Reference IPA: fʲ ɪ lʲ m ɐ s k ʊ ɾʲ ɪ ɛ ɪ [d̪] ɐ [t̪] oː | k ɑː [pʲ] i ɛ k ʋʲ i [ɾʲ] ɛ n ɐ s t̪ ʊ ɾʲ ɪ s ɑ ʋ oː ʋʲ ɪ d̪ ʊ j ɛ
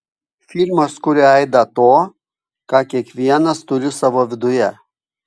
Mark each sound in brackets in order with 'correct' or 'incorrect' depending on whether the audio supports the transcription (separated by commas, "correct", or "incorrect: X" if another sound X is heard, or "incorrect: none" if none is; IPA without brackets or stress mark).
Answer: correct, correct, incorrect: kʲ, incorrect: none